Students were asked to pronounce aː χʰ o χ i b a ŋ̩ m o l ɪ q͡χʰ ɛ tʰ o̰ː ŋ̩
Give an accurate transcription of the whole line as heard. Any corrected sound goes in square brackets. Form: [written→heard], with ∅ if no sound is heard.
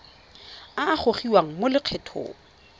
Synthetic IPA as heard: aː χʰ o χ i [b→w] a ŋ̩ m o l ɪ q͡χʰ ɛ tʰ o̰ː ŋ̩